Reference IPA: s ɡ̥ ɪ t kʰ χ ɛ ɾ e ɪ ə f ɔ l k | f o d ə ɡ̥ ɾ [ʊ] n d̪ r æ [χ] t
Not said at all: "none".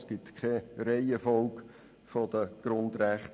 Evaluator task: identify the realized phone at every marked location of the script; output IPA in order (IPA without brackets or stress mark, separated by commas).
ʊ, χ